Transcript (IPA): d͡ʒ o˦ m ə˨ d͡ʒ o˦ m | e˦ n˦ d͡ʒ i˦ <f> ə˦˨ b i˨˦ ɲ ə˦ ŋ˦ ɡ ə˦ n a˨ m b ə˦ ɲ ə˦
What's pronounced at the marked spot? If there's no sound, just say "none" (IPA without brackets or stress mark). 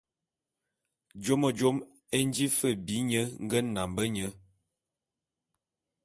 f